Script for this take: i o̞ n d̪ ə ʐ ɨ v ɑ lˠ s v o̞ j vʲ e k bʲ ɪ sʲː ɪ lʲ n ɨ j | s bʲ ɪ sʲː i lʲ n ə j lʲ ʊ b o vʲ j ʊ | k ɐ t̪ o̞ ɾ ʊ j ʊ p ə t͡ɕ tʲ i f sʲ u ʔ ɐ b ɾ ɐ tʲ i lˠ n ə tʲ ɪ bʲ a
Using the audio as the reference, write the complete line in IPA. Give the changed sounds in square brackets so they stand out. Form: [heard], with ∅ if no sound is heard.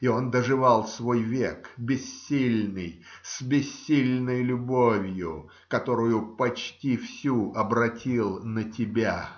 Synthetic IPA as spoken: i o̞ n d̪ ə ʐ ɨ v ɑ lˠ s v o̞ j vʲ e k bʲ ɪ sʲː [i] lʲ n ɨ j | s bʲ ɪ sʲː i lʲ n ə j lʲ ʊ b o vʲ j ʊ | k ɐ t̪ o̞ ɾ ʊ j ʊ p [ɐ] t͡ɕ tʲ i f sʲ u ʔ ɐ b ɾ ɐ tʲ i lˠ n ə tʲ ɪ bʲ a